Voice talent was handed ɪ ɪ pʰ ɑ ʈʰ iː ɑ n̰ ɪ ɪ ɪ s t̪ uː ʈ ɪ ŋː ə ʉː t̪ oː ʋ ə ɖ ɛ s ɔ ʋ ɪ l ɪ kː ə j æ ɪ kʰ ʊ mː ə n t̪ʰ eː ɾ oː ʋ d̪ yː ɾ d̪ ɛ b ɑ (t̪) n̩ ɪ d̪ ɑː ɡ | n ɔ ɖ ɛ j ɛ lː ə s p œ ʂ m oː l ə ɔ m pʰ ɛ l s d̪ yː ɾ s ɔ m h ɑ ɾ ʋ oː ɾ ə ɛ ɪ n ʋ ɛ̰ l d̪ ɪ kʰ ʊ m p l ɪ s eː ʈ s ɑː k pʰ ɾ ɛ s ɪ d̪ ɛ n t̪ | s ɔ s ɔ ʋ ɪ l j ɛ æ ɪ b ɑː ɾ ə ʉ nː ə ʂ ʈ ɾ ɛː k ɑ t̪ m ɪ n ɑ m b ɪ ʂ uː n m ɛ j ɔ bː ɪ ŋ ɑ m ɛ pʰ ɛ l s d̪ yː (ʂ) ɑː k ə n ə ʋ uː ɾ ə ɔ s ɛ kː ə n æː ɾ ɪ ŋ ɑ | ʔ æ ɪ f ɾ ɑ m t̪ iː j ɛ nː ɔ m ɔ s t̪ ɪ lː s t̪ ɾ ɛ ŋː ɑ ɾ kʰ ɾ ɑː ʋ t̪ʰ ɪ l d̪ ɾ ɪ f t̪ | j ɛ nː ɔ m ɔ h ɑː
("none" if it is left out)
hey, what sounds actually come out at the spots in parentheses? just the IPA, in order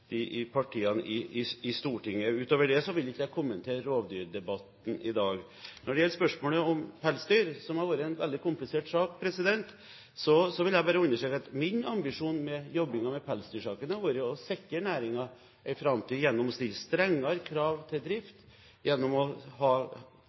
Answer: t̪, ʂ

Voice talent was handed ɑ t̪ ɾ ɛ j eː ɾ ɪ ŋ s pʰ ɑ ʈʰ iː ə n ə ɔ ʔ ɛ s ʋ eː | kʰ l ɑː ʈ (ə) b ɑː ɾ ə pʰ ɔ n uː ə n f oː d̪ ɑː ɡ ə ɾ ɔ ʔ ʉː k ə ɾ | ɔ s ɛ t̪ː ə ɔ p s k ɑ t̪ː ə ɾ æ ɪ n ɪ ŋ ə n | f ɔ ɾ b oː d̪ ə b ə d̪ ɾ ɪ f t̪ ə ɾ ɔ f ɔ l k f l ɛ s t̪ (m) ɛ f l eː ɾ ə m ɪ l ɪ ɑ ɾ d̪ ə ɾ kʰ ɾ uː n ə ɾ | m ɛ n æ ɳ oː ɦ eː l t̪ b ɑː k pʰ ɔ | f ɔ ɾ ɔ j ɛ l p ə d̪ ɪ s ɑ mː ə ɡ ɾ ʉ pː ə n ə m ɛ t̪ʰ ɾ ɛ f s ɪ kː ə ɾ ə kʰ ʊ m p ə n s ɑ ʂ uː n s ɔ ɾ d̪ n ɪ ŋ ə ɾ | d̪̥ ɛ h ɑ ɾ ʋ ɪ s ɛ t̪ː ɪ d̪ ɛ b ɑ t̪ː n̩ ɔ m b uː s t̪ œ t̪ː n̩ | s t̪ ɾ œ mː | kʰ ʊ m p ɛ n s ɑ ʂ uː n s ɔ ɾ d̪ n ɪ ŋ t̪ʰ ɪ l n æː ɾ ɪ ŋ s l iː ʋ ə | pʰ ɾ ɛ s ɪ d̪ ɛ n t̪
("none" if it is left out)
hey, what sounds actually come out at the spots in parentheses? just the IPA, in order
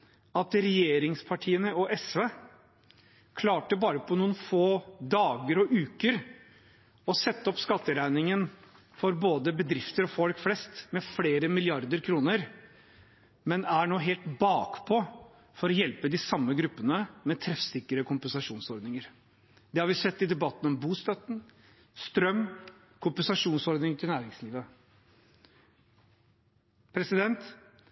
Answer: ə, m

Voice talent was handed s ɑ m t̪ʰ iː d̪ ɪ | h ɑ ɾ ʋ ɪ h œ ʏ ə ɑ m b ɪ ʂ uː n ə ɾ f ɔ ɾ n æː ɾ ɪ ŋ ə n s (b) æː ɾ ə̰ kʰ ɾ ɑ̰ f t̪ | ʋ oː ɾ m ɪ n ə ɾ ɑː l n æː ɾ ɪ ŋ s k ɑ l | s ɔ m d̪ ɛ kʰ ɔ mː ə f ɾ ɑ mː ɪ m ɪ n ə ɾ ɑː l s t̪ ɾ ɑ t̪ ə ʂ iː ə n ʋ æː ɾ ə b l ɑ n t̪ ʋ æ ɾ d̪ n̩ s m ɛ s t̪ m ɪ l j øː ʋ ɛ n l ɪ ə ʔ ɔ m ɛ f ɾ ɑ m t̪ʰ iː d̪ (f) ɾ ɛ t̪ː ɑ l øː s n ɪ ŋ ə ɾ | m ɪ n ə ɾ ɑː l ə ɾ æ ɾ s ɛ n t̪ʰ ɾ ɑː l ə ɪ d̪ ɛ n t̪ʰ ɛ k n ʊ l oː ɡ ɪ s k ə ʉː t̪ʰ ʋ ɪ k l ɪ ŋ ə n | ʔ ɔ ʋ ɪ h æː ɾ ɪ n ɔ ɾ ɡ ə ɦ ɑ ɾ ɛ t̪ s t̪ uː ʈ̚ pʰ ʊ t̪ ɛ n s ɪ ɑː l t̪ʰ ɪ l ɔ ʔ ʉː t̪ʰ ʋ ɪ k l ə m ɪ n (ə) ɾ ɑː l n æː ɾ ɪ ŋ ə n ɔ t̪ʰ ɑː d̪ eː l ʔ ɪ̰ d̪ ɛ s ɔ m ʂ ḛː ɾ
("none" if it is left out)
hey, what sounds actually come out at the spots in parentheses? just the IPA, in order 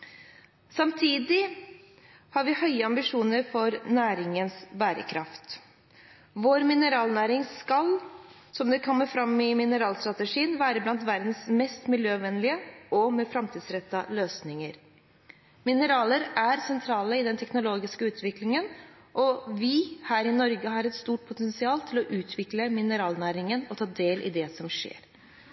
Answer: b, s, ə

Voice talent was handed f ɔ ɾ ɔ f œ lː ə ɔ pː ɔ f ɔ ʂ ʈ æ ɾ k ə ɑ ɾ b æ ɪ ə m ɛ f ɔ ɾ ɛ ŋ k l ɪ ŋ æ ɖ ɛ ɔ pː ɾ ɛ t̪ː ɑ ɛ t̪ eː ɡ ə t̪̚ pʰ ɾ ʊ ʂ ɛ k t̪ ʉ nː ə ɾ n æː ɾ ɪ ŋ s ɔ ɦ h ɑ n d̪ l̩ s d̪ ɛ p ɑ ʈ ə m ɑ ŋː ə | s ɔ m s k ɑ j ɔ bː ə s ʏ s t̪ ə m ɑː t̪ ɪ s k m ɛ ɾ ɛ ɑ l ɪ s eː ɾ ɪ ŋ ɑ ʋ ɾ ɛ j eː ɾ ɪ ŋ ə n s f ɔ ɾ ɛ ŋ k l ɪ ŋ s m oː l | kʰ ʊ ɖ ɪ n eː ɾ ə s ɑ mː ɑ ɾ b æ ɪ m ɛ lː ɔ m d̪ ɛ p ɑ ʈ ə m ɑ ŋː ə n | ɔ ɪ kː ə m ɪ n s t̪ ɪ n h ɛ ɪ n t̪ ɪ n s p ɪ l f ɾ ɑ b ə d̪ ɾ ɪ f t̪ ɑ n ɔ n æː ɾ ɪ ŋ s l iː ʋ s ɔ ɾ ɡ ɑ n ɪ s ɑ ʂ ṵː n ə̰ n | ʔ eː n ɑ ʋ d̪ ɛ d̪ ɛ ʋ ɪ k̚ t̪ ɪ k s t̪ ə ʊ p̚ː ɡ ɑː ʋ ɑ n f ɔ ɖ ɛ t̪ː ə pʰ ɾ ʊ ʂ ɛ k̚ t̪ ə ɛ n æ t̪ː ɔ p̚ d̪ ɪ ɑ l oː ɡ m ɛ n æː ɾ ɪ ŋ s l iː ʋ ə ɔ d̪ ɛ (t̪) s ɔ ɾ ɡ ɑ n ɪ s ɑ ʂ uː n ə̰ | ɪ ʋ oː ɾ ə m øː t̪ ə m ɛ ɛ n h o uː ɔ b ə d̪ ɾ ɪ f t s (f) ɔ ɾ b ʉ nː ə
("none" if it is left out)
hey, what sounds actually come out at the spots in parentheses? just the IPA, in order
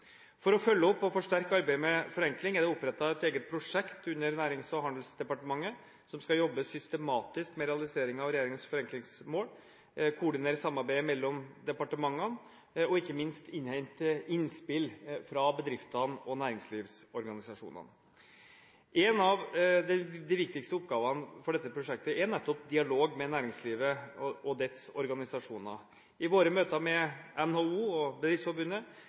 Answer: t̪, f

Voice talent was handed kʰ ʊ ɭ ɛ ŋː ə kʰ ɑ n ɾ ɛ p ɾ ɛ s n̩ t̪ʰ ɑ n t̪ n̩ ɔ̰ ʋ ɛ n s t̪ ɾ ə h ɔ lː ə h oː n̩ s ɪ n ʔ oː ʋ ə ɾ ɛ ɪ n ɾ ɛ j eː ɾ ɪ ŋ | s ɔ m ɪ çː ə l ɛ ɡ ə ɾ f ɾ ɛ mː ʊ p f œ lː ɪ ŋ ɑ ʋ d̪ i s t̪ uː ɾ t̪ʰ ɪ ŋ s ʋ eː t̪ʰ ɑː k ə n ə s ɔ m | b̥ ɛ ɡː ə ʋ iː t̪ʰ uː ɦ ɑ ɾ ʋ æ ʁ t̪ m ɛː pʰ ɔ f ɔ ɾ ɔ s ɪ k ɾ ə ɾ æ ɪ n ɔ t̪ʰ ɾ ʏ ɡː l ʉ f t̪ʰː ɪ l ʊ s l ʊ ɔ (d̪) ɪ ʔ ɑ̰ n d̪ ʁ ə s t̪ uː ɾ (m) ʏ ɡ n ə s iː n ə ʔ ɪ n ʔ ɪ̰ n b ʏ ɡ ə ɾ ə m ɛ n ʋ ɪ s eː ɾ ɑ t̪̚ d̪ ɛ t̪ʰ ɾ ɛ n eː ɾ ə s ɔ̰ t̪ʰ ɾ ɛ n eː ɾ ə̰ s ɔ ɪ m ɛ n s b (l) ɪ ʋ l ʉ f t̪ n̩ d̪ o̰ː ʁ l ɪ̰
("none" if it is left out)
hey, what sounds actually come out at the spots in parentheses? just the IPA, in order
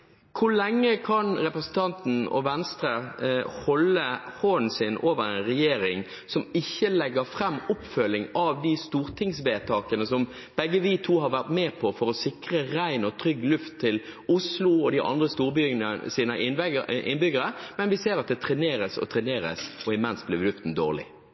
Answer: d̪, b, l

